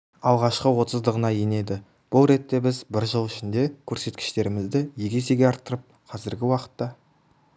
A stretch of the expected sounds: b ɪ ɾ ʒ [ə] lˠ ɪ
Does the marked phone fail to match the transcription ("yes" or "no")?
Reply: no